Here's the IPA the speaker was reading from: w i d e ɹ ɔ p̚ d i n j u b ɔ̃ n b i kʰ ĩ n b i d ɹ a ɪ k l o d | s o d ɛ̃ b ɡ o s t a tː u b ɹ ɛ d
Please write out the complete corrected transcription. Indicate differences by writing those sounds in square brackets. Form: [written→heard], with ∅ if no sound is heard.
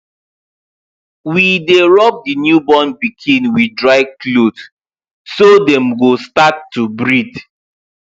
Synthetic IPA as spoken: w i d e ɹ ɔ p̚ d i n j u b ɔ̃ n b i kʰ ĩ n [b→w] i d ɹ a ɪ k l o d | s o d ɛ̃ [b→m] ɡ o s t a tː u b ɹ [ɛ→i] d